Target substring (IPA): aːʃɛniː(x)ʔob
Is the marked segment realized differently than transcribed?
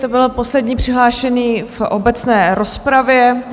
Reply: yes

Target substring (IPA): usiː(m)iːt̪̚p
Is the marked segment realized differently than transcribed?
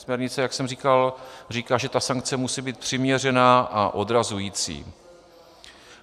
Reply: yes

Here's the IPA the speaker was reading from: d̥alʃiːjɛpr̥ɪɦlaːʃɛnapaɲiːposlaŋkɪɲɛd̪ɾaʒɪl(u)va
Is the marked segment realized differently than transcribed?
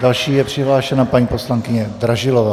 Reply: yes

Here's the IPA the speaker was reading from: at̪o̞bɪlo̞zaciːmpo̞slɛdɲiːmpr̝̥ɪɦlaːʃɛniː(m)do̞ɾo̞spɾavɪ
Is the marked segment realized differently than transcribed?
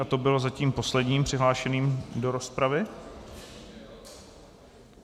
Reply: no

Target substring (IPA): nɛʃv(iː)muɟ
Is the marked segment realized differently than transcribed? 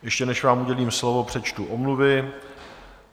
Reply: yes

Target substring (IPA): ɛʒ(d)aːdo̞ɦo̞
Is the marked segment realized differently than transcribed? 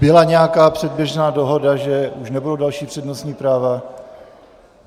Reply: yes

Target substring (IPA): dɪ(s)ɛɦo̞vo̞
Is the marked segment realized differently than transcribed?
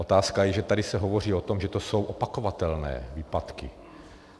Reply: no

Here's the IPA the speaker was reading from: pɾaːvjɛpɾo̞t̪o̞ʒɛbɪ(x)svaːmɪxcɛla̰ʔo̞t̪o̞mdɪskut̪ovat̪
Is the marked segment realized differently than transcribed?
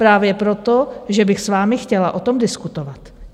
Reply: no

